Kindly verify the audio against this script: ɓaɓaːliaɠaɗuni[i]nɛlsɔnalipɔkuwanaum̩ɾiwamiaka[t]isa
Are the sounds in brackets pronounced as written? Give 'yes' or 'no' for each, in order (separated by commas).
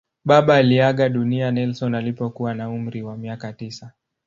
no, yes